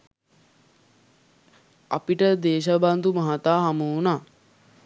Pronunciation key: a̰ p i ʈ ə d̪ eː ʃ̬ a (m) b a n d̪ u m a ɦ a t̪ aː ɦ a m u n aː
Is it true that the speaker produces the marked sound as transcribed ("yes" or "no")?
no